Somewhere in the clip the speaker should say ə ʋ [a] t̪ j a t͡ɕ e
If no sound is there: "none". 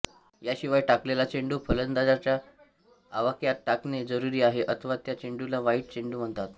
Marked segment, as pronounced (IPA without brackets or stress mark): a